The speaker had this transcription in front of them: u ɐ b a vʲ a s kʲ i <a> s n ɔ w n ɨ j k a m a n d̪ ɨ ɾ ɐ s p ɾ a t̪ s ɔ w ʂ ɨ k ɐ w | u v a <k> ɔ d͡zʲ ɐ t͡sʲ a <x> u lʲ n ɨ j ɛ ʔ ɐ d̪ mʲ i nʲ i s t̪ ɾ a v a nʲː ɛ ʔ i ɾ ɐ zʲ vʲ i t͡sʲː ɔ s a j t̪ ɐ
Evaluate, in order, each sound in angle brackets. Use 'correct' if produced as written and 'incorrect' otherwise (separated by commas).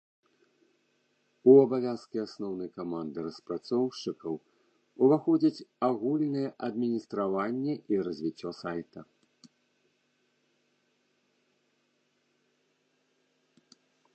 correct, incorrect, incorrect